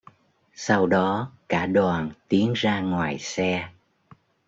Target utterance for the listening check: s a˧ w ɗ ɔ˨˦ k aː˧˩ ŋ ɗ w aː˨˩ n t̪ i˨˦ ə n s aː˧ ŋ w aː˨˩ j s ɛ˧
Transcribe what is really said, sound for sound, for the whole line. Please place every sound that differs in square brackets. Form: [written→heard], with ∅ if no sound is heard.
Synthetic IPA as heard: s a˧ w ɗ ɔ˨˦ k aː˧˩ [ŋ→∅] ɗ w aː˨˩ n t̪ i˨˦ ə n [s→z] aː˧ ŋ w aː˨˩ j s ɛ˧